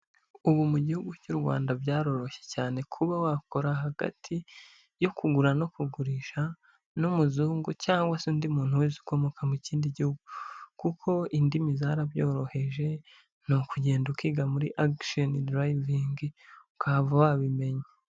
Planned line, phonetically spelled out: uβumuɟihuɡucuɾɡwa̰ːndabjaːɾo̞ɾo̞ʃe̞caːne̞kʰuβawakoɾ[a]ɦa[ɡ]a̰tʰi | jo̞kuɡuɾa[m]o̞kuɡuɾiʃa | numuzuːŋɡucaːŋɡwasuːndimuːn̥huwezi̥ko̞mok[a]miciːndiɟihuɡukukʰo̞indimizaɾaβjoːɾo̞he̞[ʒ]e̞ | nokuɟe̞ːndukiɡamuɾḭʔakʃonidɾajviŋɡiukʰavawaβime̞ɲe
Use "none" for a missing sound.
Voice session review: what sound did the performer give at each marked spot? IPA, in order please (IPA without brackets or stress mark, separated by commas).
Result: a, ɡ, n, a, ʒ